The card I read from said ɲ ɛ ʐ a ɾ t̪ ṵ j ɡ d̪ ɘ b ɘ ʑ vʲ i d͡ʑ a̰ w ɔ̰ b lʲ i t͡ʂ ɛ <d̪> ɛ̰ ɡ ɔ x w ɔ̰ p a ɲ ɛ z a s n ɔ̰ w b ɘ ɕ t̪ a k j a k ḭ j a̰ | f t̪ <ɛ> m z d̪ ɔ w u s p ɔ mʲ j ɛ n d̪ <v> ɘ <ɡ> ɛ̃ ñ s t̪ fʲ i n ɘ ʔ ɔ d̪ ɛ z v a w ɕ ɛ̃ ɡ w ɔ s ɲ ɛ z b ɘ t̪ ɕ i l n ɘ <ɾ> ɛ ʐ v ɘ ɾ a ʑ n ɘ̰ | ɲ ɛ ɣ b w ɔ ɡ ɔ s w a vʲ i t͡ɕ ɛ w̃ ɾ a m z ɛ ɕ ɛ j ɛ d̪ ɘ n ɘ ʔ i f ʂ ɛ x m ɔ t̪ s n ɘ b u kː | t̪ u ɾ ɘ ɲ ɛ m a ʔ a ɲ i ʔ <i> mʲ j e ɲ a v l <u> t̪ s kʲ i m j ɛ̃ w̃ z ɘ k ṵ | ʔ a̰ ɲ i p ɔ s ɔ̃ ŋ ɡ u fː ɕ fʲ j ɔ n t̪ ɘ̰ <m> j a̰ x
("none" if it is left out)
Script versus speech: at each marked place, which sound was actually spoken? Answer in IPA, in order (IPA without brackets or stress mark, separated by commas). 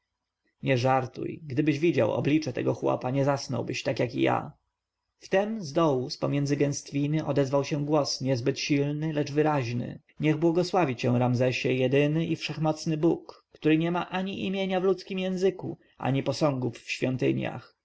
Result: t̪, ɛ, z, ɡ, l, i, u, ɲ